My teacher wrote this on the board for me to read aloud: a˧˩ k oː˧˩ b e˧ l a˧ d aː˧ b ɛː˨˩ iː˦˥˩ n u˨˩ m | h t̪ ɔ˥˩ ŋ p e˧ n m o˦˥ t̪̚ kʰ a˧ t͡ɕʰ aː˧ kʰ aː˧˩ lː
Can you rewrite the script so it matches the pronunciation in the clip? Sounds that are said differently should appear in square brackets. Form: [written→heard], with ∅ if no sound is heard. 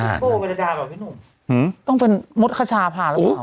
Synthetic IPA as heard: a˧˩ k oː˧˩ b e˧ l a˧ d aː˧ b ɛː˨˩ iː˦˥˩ n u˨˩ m | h t̪ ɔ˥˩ ŋ p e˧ n m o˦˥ t̪̚ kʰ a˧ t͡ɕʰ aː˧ [kʰ→pʰ] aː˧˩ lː